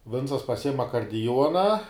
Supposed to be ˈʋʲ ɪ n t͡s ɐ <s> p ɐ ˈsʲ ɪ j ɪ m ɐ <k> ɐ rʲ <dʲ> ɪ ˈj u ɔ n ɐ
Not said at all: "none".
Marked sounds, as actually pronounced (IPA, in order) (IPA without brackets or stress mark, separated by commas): s, k, dʲ